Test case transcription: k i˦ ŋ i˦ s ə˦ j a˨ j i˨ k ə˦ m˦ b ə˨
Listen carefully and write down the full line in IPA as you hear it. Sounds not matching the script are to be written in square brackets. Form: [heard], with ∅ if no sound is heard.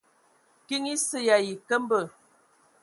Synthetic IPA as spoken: k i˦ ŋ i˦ s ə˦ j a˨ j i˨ k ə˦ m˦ b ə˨